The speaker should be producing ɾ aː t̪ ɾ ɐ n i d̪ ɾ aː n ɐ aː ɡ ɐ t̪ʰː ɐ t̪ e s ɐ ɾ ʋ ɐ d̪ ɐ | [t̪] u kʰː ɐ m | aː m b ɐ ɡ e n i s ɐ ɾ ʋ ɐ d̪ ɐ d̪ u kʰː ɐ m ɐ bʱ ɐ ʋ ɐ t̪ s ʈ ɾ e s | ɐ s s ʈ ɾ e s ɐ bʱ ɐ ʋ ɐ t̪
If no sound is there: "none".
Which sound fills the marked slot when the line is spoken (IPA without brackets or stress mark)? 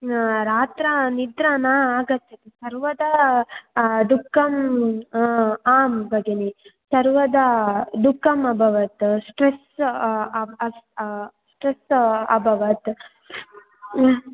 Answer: d̪